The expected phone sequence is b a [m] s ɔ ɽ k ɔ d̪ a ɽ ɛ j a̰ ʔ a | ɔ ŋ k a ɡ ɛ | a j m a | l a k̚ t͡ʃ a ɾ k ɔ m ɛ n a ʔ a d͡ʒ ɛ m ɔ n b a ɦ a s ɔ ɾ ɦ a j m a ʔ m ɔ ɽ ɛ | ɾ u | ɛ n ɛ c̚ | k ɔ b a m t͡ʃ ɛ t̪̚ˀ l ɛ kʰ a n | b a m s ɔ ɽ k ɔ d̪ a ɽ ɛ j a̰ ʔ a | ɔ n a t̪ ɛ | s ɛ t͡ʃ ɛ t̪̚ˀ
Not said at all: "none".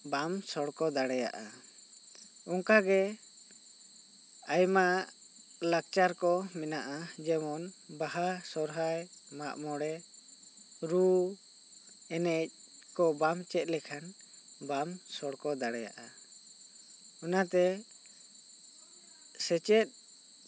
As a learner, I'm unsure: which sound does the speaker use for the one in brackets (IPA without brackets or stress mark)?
m